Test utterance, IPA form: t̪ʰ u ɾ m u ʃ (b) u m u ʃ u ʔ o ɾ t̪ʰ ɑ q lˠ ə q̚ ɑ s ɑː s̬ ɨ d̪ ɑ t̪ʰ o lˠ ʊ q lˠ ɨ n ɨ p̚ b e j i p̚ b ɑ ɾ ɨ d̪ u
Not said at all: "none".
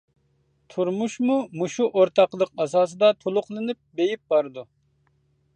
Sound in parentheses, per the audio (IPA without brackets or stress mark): m